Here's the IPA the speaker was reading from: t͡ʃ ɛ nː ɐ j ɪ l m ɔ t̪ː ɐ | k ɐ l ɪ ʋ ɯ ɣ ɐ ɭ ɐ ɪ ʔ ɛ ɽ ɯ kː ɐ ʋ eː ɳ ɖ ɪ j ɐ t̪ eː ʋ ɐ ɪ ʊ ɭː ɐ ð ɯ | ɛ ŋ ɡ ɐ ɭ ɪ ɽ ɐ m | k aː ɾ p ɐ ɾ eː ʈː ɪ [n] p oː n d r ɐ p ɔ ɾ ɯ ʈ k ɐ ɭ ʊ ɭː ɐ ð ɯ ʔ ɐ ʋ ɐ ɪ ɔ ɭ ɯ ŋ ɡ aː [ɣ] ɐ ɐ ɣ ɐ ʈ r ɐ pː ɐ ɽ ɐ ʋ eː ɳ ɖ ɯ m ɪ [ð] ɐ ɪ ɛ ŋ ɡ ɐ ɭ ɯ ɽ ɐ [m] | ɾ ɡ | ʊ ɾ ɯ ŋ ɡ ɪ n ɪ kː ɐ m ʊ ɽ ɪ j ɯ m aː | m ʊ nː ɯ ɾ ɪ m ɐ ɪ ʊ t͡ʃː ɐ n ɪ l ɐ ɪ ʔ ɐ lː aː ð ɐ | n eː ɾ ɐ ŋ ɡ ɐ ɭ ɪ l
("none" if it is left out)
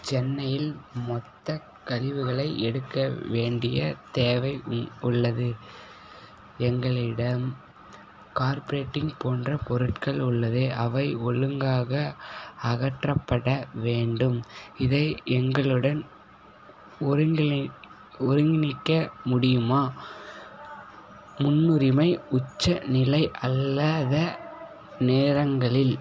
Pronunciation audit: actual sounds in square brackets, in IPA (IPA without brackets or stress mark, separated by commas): ŋ, ɣ, ð, n